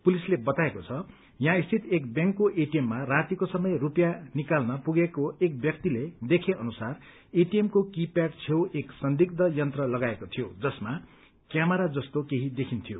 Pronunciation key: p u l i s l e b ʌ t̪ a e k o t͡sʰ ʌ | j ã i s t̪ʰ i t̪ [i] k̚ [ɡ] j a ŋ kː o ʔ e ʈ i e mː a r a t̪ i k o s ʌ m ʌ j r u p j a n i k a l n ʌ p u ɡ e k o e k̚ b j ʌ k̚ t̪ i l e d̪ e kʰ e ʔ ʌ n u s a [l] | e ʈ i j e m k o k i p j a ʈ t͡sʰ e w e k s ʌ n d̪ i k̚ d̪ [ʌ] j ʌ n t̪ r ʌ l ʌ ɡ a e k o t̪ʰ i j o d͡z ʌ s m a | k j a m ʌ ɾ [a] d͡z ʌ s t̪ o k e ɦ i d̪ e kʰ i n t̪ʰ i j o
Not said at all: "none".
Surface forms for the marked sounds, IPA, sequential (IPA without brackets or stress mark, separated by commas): e, b, r, ʌ, a